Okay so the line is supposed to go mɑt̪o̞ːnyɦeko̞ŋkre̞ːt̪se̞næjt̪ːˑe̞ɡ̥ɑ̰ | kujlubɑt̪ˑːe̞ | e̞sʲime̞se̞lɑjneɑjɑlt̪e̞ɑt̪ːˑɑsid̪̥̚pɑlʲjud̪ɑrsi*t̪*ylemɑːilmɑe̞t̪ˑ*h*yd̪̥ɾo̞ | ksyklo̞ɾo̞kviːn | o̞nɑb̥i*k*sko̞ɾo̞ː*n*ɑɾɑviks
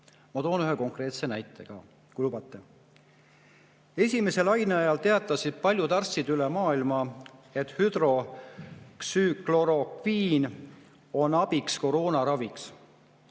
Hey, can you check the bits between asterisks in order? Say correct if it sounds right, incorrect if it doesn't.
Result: incorrect, correct, correct, correct

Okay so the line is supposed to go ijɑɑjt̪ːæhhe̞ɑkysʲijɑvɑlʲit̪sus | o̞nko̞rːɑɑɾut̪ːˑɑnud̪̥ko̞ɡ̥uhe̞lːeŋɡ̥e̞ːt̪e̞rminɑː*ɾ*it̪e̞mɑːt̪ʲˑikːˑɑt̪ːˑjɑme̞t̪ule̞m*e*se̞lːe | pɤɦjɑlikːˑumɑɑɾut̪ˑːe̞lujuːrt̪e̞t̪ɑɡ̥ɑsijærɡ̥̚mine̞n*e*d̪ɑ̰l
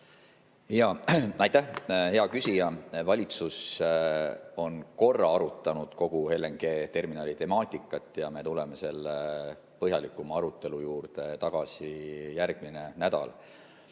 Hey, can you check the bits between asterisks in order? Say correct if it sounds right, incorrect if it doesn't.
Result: incorrect, correct, incorrect

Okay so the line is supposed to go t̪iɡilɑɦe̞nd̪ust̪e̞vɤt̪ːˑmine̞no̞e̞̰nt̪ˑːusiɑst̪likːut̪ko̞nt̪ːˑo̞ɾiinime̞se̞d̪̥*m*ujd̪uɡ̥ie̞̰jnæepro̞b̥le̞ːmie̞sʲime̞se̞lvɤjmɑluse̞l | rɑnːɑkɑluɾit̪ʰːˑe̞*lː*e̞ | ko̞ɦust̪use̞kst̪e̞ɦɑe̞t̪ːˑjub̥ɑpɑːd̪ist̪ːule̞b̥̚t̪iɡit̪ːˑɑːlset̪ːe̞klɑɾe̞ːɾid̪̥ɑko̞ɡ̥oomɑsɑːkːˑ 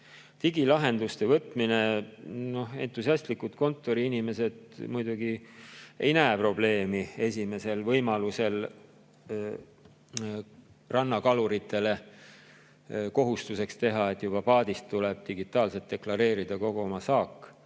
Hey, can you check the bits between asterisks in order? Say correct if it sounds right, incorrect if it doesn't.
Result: correct, incorrect

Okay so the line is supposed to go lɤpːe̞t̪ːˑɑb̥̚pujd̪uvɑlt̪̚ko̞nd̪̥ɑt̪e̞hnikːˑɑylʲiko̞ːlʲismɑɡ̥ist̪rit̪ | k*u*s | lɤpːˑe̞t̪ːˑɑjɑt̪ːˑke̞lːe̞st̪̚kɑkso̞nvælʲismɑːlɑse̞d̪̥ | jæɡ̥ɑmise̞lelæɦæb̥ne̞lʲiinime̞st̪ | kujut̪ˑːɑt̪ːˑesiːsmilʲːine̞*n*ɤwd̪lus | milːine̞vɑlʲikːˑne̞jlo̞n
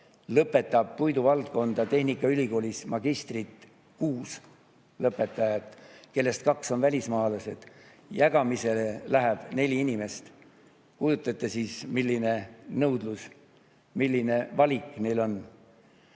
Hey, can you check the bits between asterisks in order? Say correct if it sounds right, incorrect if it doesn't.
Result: incorrect, correct

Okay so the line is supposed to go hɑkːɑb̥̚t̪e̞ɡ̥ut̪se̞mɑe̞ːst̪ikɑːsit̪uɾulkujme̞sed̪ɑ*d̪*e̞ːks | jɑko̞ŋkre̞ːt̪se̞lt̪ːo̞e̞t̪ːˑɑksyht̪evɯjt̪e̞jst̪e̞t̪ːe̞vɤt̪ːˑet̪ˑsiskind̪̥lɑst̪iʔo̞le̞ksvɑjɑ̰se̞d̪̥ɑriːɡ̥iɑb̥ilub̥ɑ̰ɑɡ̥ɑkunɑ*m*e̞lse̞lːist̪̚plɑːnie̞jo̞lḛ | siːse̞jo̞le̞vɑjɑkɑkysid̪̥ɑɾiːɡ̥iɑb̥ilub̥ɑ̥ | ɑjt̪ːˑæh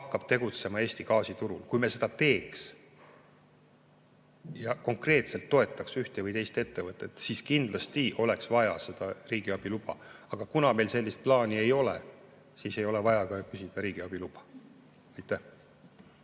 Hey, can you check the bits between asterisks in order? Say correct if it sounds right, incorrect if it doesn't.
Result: incorrect, correct

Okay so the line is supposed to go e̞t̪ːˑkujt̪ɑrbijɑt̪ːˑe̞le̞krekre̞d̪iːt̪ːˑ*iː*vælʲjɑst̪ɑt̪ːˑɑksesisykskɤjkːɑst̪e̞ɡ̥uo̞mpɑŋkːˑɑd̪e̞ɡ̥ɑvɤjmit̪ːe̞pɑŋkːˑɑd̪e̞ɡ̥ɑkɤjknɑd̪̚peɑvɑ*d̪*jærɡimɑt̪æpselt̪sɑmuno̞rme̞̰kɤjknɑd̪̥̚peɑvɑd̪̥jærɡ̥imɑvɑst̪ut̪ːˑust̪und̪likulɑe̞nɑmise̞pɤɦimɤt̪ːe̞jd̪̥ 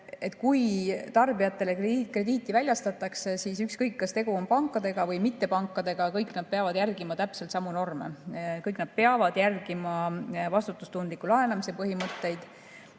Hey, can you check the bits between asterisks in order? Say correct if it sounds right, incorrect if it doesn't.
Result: incorrect, correct

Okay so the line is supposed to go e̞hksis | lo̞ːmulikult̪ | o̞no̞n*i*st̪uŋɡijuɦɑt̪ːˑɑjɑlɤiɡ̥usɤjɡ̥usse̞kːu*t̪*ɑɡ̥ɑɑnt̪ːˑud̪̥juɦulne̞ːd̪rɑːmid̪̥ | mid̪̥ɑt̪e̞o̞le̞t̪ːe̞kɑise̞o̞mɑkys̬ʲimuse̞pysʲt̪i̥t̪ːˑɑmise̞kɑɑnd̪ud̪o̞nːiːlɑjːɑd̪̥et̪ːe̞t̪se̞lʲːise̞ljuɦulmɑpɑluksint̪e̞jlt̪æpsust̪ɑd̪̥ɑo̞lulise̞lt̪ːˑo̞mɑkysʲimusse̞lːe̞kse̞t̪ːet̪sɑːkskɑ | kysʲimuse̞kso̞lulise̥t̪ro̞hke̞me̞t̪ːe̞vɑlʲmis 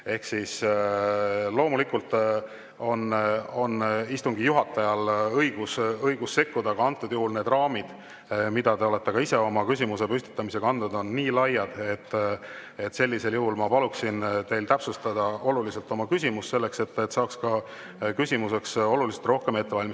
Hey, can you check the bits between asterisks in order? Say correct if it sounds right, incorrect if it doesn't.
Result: correct, incorrect

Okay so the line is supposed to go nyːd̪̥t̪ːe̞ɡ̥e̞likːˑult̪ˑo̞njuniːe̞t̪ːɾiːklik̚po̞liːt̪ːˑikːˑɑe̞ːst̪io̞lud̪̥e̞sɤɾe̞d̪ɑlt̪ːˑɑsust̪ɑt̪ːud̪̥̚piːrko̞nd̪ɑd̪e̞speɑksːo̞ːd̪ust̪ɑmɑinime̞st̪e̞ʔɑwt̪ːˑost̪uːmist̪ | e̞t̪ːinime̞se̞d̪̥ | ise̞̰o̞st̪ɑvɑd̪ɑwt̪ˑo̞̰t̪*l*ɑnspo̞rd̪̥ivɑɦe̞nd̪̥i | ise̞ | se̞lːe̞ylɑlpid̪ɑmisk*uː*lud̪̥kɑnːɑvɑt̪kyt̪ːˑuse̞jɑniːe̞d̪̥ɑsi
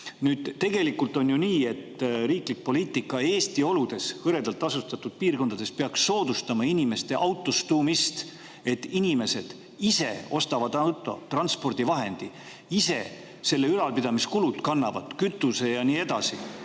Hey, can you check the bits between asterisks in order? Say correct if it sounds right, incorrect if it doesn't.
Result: incorrect, incorrect

